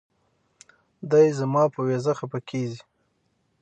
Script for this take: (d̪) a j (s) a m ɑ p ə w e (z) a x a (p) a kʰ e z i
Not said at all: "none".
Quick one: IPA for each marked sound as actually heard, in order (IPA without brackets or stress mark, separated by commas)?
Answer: d̪, z, z, p